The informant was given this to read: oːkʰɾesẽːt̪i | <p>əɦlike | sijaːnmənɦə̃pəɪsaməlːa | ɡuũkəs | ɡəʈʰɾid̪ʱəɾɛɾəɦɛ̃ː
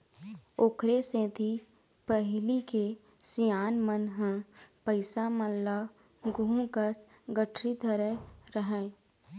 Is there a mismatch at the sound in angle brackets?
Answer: no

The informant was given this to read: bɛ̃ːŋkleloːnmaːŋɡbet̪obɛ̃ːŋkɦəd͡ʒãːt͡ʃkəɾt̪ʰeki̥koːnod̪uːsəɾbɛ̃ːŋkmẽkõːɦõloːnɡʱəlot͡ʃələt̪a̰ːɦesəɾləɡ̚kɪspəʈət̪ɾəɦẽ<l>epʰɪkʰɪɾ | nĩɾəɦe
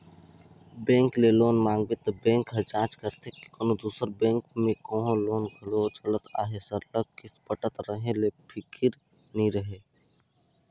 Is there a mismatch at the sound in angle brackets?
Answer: no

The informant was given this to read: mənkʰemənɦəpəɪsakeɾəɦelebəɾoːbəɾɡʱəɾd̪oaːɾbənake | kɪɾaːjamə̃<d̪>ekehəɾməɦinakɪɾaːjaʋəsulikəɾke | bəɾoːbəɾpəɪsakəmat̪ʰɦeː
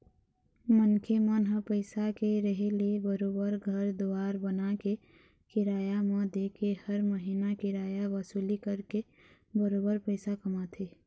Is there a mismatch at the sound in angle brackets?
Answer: no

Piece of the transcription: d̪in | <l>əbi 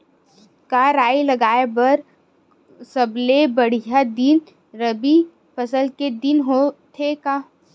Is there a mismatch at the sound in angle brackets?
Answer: yes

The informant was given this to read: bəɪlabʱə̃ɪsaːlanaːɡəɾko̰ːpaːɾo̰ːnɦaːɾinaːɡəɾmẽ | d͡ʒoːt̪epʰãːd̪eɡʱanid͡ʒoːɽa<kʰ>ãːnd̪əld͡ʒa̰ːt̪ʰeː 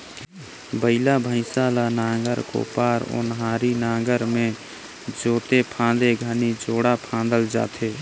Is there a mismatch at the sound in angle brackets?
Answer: yes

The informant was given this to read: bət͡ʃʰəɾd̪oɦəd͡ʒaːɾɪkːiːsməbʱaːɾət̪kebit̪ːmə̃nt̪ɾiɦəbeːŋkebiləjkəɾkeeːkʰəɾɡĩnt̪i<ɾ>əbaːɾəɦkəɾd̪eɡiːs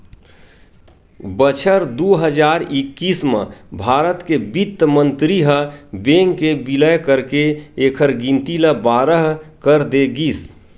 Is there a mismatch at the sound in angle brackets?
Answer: yes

